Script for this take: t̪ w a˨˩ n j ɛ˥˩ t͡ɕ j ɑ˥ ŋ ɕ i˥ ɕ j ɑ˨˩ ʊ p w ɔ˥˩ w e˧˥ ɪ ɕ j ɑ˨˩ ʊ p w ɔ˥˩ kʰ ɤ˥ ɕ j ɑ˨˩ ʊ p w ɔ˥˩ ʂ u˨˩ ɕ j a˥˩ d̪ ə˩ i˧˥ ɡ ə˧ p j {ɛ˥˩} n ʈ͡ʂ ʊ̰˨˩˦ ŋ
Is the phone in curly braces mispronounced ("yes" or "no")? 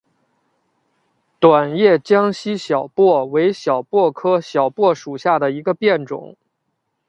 no